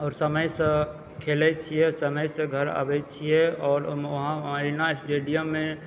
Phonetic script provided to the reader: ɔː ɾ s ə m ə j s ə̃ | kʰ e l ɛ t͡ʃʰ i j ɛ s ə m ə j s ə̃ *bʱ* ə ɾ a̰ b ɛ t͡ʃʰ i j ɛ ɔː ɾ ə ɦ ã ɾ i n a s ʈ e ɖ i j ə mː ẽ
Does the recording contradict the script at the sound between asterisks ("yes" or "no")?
yes